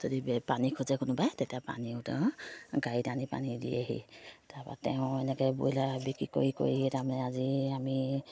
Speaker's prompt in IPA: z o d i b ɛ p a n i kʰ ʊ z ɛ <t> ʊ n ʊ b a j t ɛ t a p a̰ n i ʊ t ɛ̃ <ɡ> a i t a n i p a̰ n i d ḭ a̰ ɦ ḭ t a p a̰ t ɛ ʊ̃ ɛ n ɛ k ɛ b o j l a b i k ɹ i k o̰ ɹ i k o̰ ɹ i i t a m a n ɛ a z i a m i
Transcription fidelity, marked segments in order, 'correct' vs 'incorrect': incorrect: k, correct

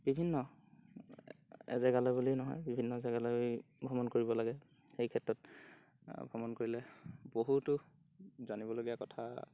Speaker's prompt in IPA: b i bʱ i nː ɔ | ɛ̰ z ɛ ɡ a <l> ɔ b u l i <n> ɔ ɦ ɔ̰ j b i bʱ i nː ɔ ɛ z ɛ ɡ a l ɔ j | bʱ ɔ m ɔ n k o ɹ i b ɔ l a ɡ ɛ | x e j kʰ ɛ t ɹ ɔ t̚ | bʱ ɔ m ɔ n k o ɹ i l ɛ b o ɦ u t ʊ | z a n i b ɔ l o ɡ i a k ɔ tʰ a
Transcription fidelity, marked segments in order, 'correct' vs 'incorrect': correct, correct

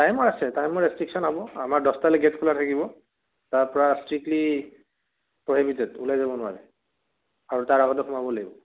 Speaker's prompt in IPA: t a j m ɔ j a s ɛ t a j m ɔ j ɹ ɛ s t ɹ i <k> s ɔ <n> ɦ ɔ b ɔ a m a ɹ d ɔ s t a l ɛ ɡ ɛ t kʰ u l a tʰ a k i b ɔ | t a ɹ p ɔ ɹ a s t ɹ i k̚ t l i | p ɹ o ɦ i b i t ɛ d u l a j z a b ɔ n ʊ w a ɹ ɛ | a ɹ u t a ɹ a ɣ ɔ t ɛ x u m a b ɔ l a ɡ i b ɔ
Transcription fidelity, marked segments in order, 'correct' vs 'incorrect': correct, correct

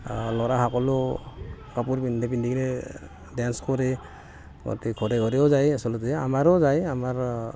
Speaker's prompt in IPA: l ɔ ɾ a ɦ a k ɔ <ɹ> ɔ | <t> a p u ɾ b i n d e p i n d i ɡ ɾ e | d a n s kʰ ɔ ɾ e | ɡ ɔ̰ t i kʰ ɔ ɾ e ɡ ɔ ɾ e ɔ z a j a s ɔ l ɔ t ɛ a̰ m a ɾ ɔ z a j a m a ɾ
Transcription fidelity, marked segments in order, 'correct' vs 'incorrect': incorrect: l, incorrect: k

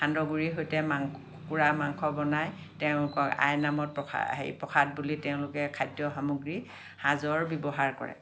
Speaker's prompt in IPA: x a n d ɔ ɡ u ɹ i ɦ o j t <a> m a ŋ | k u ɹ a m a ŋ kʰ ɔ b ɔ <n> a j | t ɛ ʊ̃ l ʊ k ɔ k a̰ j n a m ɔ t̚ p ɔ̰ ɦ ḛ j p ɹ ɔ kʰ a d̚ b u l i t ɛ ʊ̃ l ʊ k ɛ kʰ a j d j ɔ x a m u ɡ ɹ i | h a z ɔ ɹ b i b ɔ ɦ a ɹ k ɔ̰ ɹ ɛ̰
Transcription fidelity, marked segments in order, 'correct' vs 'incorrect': incorrect: ɛ, correct

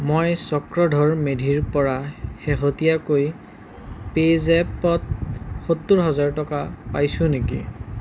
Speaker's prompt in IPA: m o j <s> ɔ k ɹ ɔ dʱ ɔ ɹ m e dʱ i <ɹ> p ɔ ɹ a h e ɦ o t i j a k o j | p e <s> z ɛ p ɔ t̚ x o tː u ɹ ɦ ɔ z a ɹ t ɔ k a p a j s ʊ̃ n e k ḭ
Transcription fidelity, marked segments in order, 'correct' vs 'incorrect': correct, correct, incorrect: none

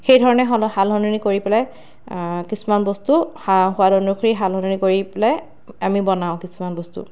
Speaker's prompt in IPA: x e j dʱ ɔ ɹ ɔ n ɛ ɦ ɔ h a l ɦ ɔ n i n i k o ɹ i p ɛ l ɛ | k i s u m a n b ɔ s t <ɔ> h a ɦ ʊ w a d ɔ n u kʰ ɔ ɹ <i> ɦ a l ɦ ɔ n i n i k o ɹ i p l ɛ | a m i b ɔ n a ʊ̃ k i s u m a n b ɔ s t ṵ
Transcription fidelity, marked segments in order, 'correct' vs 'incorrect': incorrect: u, correct

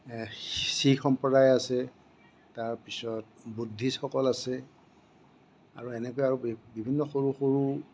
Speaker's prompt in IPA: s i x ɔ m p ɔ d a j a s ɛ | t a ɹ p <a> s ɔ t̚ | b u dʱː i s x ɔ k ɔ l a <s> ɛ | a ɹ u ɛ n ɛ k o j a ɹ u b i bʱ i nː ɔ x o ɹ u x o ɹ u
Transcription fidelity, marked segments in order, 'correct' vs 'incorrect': incorrect: i, correct

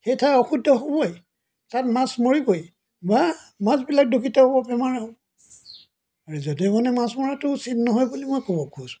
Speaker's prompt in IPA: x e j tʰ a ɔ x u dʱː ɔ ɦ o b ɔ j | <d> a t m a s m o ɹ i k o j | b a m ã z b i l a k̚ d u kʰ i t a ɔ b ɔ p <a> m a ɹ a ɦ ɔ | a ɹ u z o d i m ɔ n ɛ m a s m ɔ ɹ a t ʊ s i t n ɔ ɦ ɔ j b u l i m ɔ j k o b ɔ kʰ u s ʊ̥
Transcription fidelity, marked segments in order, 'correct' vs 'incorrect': incorrect: t, incorrect: ɛ

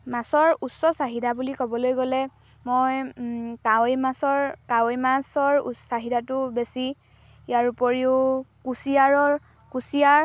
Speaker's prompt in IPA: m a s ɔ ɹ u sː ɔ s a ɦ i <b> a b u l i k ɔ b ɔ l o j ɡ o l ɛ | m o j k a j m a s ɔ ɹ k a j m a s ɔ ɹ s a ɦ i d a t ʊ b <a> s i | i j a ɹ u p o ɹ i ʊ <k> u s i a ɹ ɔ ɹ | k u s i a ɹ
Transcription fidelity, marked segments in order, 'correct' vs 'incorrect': incorrect: d, incorrect: e, correct

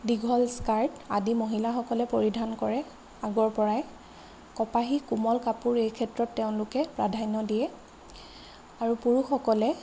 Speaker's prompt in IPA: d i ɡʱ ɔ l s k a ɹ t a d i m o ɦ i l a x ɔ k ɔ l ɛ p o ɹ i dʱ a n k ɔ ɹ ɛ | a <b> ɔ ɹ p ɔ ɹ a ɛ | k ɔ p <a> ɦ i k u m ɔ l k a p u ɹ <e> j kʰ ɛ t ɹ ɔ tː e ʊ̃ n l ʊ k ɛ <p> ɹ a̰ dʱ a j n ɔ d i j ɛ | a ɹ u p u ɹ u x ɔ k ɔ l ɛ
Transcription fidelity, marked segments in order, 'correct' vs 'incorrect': incorrect: ɡ, correct, correct, correct

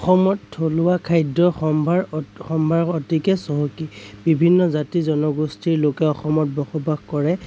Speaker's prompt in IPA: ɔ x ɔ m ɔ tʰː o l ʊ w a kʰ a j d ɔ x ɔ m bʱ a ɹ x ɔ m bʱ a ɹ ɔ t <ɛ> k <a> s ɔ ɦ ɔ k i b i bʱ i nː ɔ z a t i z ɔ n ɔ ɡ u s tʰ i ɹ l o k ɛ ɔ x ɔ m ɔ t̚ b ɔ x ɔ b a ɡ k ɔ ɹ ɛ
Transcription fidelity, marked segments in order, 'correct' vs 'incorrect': incorrect: i, incorrect: ɛ

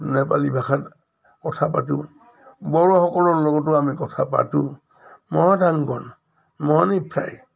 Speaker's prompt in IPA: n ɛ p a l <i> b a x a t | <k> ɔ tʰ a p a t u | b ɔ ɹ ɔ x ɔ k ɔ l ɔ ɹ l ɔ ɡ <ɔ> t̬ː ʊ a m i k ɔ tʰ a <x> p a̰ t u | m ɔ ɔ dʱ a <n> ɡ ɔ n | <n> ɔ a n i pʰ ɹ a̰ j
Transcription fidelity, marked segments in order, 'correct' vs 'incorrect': correct, correct, correct, incorrect: none, incorrect: ŋ, incorrect: m

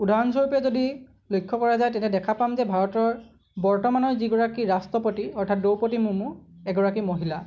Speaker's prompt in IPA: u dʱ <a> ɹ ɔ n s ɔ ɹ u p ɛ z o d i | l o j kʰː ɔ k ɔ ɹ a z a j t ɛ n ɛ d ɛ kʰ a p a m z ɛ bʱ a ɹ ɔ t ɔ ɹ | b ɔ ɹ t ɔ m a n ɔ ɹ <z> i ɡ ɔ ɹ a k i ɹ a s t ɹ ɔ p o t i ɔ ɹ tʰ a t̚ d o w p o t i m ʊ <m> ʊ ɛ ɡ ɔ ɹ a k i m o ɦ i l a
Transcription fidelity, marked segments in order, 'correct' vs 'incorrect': correct, correct, correct

